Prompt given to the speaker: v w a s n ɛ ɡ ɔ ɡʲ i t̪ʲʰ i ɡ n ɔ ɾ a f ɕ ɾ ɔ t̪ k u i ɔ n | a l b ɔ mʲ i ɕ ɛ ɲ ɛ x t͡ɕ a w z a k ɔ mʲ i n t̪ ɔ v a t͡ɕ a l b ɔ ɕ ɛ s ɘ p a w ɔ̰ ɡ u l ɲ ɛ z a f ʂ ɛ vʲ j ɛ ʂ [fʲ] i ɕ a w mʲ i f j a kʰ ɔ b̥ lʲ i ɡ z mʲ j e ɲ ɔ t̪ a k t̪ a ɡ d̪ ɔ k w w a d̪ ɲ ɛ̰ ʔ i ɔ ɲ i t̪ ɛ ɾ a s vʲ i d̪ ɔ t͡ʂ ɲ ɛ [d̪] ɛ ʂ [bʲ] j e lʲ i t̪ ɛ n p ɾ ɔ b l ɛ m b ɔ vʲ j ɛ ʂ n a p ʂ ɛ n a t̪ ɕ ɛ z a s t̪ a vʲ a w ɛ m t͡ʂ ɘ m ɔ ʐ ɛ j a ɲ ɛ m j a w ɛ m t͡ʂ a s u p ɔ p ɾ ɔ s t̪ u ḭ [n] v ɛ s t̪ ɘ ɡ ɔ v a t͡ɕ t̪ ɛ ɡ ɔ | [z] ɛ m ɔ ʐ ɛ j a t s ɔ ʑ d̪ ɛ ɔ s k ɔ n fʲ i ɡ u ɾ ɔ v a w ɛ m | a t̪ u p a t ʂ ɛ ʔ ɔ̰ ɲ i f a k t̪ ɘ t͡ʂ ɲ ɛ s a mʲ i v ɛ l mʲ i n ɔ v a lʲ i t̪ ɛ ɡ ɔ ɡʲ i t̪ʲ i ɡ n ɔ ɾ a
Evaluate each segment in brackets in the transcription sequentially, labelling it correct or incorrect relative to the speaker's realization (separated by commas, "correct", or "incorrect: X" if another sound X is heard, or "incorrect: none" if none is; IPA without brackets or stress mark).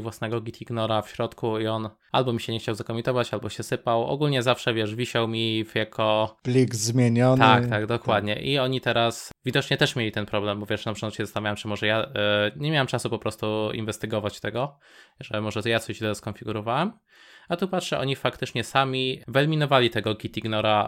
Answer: incorrect: vʲ, incorrect: t̪, incorrect: mʲ, correct, incorrect: ʐ